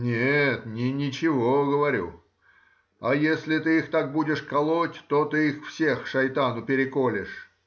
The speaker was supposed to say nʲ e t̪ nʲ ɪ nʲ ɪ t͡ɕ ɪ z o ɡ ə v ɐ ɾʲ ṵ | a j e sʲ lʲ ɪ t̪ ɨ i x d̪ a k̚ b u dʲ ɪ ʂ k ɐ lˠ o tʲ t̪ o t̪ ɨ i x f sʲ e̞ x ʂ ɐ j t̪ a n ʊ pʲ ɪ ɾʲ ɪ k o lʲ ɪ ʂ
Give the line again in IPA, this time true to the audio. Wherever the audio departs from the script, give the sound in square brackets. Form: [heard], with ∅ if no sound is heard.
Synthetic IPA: nʲ e t̪ nʲ ɪ nʲ ɪ t͡ɕ ɪ [v] o ɡ ə v ɐ ɾʲ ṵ | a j e sʲ lʲ ɪ t̪ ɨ i x [t̪] a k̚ b u dʲ ɪ ʂ k ɐ lˠ o tʲ t̪ o t̪ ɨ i x f sʲ e̞ x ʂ ɐ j t̪ a n ʊ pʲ ɪ ɾʲ ɪ k o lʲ ɪ ʂ

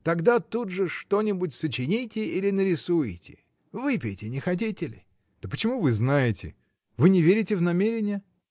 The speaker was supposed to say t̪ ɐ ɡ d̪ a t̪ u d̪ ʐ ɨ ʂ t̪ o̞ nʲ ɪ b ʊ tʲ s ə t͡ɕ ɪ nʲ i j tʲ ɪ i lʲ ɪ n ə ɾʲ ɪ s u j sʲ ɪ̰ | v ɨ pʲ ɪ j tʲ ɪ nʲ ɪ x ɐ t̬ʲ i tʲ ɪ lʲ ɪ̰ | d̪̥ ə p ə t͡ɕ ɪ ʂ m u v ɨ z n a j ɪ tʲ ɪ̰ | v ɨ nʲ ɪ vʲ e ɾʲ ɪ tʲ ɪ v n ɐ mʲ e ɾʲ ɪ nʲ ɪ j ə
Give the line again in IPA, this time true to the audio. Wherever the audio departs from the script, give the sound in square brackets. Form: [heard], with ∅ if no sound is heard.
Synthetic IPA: t̪ ɐ ɡ d̪ a t̪ u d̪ ʐ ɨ ʂ t̪ o̞ nʲ ɪ b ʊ tʲ s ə t͡ɕ ɪ nʲ i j tʲ ɪ i lʲ ɪ n ə ɾʲ ɪ s u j [tʲ] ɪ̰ | v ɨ pʲ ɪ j tʲ ɪ nʲ ɪ x ɐ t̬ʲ i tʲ ɪ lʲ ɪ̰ | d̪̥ ə p ə t͡ɕ ɪ [∅] m u v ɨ z n a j ɪ tʲ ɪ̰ | v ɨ nʲ ɪ vʲ e ɾʲ ɪ tʲ ɪ v n ɐ mʲ e ɾʲ ɪ nʲ ɪ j ə

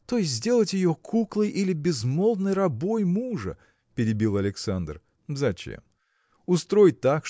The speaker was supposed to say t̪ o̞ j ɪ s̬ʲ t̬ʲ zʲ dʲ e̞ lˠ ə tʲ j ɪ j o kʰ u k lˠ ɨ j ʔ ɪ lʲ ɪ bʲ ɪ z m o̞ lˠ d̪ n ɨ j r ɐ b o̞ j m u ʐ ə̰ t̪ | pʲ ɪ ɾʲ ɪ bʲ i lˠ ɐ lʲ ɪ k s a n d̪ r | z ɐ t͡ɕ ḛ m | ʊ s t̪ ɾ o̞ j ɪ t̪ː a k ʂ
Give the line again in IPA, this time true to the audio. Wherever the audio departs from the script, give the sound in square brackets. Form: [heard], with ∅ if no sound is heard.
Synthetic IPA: t̪ o̞ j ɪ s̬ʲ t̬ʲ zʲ dʲ e̞ lˠ ə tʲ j ɪ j o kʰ u k lˠ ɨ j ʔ [i] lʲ ɪ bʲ ɪ z m o̞ lˠ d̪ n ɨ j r ɐ b o̞ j m u ʐ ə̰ [∅] | pʲ ɪ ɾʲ ɪ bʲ i lˠ ɐ lʲ ɪ k s a n d̪ r | z ɐ t͡ɕ ḛ m | ʊ s t̪ ɾ o̞ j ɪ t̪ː a k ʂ

